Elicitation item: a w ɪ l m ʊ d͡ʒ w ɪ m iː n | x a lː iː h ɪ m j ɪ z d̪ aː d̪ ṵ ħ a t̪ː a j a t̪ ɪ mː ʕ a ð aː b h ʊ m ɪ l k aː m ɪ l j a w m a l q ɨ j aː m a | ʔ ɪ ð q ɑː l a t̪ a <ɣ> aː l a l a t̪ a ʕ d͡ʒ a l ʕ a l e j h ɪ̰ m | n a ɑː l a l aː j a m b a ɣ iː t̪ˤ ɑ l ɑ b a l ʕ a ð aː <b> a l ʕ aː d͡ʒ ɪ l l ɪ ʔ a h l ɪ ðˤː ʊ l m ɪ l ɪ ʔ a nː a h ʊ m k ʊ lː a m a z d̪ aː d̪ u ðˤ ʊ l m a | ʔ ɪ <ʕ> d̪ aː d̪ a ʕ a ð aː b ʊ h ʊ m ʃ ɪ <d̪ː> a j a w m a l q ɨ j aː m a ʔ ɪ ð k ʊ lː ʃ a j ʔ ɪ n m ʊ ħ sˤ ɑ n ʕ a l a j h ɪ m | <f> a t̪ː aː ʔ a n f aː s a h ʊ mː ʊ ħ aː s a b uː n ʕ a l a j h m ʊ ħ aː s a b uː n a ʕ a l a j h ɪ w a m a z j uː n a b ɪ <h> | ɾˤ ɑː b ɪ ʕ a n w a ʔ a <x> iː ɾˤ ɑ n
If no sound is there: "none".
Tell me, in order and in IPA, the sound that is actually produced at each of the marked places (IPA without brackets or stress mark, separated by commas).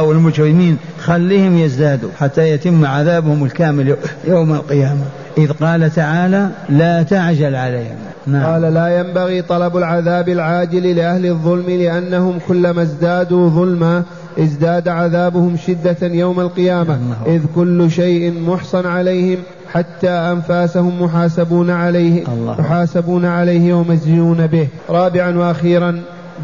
ʕ, b, z, d̪ː, ħ, h, x